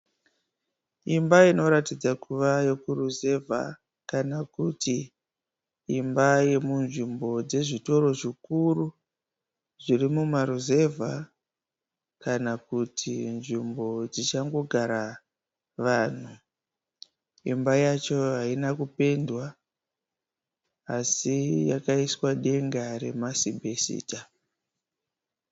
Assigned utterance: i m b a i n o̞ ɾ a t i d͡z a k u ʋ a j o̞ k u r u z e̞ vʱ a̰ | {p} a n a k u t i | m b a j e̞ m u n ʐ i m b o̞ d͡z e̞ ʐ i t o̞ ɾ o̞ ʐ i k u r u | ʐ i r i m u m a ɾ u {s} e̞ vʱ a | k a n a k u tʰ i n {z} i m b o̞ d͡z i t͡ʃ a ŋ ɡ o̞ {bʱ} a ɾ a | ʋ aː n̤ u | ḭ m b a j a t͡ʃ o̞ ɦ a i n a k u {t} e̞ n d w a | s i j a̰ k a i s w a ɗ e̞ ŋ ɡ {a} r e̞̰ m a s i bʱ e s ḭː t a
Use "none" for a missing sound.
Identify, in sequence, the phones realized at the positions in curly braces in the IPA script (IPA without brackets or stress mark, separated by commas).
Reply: k, z, ʐ, ɡʱ, p, a